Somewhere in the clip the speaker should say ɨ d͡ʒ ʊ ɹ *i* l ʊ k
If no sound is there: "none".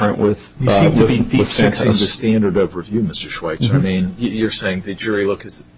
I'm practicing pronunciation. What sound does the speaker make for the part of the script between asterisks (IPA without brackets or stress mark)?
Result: i